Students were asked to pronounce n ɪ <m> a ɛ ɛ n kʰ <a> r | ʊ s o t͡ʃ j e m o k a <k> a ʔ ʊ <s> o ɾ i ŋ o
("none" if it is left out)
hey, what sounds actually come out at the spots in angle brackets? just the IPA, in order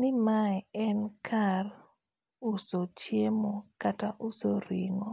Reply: m, a, t, s

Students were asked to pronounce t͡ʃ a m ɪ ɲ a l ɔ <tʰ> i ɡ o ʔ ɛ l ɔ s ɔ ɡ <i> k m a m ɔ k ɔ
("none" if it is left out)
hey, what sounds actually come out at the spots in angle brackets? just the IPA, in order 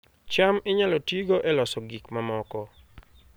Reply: t, i

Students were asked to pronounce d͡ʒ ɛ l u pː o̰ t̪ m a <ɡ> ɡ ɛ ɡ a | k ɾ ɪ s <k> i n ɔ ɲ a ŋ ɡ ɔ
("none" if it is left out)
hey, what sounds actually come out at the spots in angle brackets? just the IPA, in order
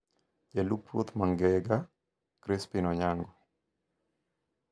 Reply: ŋ, p

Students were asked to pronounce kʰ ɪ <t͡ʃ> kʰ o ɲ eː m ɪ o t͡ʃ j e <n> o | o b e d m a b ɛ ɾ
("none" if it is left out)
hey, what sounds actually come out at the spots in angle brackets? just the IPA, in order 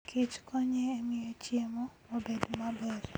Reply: t͡ʃ, m

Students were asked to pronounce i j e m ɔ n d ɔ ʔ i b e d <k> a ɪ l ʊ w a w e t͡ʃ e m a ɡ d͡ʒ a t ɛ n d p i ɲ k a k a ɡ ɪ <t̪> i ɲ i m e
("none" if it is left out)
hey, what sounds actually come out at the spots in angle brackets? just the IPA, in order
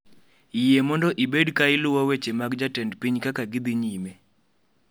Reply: k, d̪

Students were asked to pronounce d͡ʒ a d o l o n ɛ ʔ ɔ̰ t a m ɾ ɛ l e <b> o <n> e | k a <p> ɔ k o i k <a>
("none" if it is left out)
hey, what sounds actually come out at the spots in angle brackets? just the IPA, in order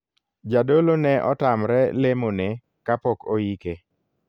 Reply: m, n, p, e

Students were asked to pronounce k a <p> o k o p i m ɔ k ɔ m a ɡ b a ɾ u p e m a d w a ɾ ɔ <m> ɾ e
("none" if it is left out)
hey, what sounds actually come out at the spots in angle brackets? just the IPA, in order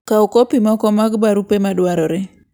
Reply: none, none

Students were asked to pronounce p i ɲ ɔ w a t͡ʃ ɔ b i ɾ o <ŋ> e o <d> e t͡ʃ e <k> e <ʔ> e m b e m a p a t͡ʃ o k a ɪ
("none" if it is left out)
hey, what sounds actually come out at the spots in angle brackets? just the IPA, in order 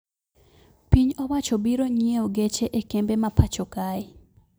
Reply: ɲ, ɡ, ʔ, k

